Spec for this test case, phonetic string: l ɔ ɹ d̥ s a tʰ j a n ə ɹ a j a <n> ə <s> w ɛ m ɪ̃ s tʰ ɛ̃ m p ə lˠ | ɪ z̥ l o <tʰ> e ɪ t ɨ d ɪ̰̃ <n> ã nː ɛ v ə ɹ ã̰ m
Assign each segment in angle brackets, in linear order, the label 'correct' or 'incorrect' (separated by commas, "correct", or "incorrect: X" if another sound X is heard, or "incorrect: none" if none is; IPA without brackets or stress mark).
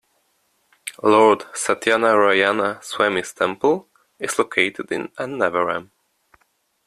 correct, correct, incorrect: kʰ, correct